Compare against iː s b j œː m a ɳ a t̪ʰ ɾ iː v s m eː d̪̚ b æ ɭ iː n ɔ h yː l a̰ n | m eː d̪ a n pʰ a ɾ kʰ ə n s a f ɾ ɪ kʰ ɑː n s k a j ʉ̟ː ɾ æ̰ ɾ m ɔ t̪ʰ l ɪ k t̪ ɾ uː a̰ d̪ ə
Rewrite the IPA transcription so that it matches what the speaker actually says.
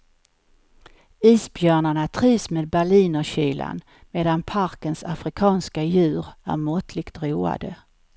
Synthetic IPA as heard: iː s b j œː ɳ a ɳ a t̪ʰ ɾ iː v s m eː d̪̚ b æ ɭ iː n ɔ ɕ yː l a̰ n | m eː d̪ a n pʰ a ɾ k ə n s a f ɾ ɪ kʰ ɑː n s k a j ʉ̟ː ɾ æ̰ ɾ m ɔ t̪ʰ l ɪ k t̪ ɾ uː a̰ d̪ ə